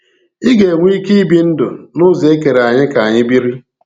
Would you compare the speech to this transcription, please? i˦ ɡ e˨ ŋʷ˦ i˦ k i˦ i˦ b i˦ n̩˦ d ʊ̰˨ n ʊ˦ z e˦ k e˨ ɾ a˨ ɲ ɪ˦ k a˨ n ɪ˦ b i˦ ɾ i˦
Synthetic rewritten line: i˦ ɡ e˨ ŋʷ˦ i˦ k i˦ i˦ b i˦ n̩˦ d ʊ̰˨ n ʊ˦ z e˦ k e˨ ɾ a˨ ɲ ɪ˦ k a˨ ɲ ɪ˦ b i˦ ɾ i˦